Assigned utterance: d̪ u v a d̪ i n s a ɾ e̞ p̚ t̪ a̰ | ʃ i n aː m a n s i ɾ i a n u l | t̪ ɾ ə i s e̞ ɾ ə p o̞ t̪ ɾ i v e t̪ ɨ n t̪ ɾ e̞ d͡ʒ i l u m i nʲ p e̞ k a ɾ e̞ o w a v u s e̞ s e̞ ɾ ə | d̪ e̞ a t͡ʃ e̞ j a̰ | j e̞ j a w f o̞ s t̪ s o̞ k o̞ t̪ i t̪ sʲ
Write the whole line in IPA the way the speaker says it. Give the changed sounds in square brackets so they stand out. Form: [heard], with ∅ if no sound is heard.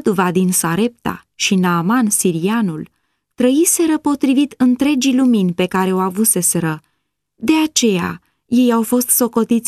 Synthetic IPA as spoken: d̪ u v a d̪ i n s a ɾ e̞ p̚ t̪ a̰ | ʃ i n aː m a n s i ɾ i a n u l | t̪ ɾ ə i s e̞ ɾ ə p o̞ t̪ ɾ i v [i] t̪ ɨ n t̪ ɾ e̞ d͡ʒ i l u m i nʲ p e̞ k a ɾ e̞ o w a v u s e̞ s e̞ ɾ ə | d̪ e̞ a t͡ʃ e̞ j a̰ | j e̞ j a w f o̞ s t̪ s o̞ k o̞ t̪ i t̪ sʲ